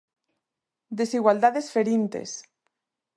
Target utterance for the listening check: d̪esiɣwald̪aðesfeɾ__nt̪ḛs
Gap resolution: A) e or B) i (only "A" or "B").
B